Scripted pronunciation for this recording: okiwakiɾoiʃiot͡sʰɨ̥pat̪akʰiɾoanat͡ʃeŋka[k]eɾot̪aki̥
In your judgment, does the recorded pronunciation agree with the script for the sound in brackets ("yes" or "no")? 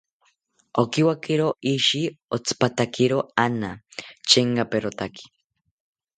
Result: no